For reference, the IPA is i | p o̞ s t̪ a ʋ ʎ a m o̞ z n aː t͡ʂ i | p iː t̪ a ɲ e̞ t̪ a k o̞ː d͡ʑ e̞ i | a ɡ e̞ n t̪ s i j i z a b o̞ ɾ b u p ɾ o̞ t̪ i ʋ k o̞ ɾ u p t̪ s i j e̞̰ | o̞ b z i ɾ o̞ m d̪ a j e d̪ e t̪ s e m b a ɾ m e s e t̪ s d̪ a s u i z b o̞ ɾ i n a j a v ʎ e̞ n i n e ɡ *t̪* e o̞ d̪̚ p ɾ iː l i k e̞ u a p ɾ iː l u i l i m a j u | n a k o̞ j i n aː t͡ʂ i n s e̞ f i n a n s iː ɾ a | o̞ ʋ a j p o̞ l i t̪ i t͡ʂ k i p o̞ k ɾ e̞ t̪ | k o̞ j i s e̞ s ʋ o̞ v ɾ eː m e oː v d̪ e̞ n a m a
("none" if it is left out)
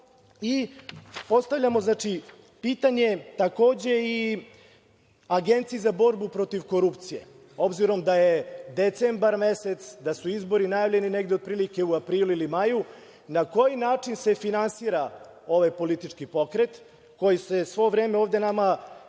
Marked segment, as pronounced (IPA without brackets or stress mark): d̪